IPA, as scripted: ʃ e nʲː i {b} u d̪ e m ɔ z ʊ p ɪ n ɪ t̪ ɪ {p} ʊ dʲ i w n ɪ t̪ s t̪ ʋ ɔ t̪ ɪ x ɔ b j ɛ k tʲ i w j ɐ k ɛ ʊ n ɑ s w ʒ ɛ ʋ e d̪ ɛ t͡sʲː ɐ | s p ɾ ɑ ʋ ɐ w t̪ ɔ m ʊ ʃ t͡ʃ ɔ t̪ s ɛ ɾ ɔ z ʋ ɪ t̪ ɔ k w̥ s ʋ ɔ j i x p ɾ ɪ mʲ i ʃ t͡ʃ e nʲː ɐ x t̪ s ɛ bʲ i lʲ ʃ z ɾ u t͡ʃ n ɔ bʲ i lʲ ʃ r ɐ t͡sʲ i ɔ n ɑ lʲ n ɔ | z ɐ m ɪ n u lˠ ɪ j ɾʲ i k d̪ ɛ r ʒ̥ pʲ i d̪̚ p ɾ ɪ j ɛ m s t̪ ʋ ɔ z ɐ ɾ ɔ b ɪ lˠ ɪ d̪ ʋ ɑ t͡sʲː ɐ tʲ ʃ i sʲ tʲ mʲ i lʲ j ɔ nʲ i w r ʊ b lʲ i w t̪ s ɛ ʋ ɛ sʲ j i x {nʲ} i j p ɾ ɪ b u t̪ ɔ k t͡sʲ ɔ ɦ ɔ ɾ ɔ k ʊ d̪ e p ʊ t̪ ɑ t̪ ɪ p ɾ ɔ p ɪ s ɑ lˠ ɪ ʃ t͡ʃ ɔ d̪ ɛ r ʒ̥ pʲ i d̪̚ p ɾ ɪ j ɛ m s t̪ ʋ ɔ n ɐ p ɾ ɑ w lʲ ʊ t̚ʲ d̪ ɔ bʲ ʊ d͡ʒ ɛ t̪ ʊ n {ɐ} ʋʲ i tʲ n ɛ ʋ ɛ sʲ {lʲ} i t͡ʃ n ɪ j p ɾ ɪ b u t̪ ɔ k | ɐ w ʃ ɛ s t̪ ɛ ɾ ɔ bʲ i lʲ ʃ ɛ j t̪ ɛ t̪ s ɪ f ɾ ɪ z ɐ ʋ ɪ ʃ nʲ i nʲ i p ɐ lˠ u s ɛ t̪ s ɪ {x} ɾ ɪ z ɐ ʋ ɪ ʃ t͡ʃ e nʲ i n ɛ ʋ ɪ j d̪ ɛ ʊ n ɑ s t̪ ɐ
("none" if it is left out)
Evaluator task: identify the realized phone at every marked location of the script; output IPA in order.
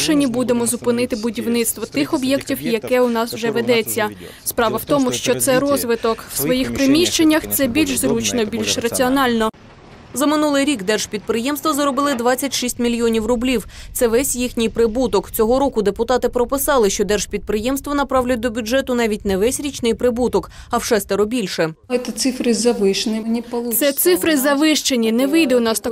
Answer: b, b, nʲ, ɑ, ɾʲ, f

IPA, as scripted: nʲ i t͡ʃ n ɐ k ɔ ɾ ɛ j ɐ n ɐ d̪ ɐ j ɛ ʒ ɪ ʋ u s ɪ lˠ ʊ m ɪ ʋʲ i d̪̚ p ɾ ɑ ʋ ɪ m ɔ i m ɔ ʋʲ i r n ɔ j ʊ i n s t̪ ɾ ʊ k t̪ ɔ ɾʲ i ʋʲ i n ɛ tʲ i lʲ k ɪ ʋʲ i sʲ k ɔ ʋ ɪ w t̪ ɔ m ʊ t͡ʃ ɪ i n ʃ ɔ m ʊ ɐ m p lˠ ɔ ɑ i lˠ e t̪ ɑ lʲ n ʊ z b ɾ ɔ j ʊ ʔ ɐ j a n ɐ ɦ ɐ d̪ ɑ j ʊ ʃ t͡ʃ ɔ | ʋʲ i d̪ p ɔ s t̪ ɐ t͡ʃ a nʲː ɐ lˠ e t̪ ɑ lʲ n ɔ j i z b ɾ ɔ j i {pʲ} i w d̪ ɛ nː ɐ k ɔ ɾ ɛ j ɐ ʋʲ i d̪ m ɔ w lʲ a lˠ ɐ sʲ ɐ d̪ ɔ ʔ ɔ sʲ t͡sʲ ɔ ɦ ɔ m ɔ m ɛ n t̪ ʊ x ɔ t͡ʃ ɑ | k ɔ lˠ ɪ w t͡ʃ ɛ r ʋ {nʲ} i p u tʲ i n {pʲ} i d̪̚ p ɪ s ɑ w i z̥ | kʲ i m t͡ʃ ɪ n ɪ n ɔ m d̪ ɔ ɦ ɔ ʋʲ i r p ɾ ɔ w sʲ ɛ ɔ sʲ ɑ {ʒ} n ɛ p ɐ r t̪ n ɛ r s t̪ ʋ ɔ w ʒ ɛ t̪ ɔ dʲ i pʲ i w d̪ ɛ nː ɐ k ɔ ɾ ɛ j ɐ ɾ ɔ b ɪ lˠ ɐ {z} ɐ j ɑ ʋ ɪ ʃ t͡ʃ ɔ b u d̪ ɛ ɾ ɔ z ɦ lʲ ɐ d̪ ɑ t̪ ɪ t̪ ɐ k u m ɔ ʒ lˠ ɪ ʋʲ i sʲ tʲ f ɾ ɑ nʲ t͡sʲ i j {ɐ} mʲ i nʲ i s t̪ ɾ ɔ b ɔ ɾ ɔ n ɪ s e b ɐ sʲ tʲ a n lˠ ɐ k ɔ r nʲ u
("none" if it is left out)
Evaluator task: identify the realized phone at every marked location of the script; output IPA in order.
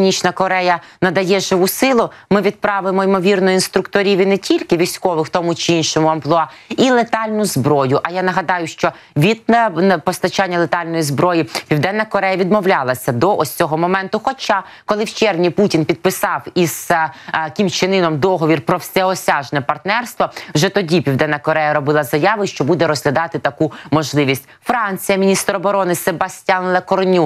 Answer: pʲ, nʲ, pʲ, ʒ, z, ɐ

